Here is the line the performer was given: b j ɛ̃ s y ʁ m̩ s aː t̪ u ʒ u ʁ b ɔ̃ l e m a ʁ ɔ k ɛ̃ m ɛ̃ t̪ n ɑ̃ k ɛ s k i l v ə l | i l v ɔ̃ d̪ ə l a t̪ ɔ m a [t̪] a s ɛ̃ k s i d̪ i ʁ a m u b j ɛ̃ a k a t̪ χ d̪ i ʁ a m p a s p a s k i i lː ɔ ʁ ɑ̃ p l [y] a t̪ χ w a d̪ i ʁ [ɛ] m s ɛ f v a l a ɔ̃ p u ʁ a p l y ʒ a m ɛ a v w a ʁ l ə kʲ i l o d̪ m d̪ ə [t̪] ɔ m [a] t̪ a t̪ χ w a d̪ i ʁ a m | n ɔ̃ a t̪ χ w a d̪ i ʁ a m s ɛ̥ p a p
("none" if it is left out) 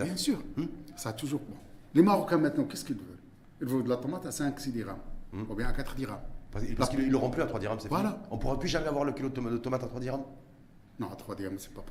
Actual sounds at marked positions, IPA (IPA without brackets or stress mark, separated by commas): t̪, y, a, t̪, a